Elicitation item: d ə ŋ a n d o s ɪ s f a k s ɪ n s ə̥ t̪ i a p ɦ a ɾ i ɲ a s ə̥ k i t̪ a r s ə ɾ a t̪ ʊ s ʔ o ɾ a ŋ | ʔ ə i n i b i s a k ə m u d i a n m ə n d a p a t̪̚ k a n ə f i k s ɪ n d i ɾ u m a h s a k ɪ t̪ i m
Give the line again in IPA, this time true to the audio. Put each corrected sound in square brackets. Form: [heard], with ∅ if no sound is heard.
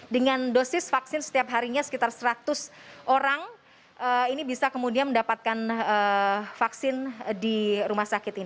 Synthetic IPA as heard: d ə ŋ a n d o s ɪ s f a k s ɪ n s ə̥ t̪ i a p ɦ a ɾ i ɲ a s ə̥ k i t̪ a r s ə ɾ a t̪ ʊ s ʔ o ɾ a ŋ | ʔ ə i n i b i s a k ə m u d i a n m ə n d a p a t̪̚ k a n ə f [a] k s ɪ n d i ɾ u m a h s a k ɪ t̪ i [n]